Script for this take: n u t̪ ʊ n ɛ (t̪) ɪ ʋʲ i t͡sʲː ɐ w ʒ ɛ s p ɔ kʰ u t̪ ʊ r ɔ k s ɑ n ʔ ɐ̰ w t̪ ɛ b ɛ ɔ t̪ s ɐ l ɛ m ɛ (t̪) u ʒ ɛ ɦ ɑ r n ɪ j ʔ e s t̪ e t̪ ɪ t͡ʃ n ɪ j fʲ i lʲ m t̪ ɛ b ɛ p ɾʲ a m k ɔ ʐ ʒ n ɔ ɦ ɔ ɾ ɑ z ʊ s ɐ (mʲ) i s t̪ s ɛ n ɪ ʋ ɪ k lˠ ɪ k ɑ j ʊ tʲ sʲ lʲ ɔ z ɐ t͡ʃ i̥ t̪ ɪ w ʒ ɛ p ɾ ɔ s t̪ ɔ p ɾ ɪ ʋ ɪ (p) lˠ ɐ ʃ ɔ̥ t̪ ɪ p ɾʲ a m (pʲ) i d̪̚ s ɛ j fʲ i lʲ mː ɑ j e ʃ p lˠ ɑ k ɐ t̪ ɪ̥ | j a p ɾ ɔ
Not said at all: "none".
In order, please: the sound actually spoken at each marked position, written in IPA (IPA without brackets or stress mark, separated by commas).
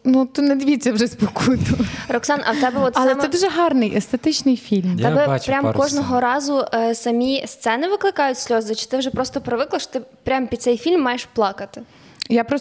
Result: d̪, d̪, mʲ, k, pʲ